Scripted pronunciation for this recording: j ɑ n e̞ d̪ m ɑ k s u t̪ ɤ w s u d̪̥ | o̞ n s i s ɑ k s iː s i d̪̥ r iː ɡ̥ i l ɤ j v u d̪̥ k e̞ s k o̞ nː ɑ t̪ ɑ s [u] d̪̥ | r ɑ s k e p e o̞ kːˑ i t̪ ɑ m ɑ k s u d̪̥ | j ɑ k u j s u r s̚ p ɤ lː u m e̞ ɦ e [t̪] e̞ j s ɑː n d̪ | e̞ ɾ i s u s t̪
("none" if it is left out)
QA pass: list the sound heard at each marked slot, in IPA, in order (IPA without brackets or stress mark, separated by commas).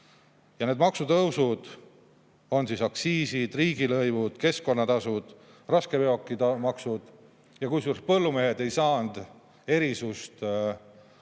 u, d̪